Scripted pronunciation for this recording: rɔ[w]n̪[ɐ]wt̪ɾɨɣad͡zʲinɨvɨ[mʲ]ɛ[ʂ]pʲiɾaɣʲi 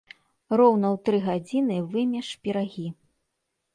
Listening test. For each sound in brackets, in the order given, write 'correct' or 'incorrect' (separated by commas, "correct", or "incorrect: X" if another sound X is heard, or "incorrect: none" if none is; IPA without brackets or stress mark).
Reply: correct, correct, correct, correct